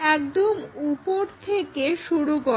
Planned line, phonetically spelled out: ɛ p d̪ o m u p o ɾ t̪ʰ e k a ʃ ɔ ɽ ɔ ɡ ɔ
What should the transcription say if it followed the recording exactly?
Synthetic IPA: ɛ k d̪ o m u p o ɾ t̪ʰ e k e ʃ u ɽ u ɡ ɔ